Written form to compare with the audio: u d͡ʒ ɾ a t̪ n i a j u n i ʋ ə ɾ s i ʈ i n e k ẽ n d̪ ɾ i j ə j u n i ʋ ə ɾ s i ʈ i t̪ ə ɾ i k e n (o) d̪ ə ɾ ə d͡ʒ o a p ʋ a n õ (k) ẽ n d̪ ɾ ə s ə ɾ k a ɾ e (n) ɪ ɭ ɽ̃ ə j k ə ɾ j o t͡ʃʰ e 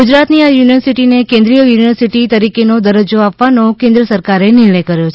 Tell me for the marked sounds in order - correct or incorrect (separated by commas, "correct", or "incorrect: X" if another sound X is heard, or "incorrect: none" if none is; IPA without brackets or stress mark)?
correct, correct, correct